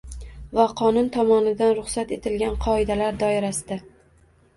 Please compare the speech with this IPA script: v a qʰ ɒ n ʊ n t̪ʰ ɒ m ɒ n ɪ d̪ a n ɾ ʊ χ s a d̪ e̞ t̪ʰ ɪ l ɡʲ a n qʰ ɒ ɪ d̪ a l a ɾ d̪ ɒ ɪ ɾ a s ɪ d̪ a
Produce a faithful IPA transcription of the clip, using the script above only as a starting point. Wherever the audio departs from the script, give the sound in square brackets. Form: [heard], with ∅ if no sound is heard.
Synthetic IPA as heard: v a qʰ ɒ n ʊ n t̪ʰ ɒ m ɒ n ɪ d̪ a n ɾ ʊ χ s a [t̪] e̞ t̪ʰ ɪ l ɡʲ a n qʰ ɒ ɪ d̪ a l a ɾ d̪ ɒ ɪ ɾ a s ɪ d̪ a